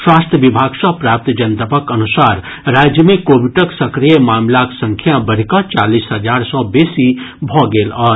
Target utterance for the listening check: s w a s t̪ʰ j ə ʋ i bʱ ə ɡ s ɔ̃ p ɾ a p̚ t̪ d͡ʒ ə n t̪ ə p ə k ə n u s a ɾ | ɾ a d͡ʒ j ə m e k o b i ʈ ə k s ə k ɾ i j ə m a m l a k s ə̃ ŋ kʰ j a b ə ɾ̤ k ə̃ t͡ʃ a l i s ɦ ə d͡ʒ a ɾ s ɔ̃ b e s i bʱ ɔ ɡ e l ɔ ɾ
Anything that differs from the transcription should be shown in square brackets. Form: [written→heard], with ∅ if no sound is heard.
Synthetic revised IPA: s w a s t̪ʰ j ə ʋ i bʱ [ə→a] ɡ s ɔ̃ p ɾ a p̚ t̪ d͡ʒ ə n t̪ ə p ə k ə n u s a ɾ | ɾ a d͡ʒ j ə m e k o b i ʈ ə k s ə k ɾ i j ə m a m l a k s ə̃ ŋ kʰ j a b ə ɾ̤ k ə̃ t͡ʃ a l i s ɦ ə d͡ʒ a ɾ s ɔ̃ b e s i bʱ ɔ ɡ e l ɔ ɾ